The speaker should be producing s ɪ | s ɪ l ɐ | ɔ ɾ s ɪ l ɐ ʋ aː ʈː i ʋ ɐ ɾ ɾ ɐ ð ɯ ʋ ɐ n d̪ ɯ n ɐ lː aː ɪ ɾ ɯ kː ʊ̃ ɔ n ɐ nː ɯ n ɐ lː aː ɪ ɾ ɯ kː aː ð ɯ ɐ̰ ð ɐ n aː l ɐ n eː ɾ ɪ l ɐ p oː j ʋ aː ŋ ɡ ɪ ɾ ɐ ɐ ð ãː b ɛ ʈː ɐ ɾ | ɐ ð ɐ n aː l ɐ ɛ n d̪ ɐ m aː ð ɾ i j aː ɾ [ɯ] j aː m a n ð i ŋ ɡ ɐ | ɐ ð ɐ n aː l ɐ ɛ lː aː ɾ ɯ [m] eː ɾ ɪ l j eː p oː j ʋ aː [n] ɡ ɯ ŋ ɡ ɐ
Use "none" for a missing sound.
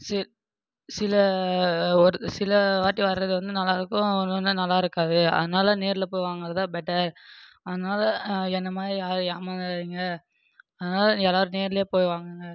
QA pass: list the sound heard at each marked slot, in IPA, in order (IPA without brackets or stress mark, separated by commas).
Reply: ɯ, n, ŋ